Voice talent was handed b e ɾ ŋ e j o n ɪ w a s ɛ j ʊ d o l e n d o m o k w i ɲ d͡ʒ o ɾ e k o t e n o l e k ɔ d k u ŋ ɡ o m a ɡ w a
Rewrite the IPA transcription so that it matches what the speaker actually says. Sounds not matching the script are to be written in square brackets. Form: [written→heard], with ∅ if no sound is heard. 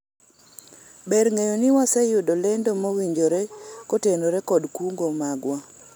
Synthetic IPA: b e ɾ ŋ e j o n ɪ w a s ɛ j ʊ d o l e n d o m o [k→∅] w i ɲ d͡ʒ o ɾ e k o t e n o [l→ɾ] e k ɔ d k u ŋ ɡ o m a ɡ w a